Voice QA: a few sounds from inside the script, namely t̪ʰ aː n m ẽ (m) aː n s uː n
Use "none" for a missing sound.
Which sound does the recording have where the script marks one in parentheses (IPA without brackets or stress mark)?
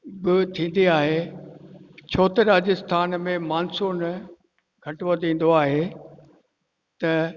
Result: m